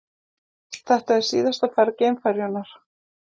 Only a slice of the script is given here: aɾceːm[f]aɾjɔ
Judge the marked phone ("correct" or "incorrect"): correct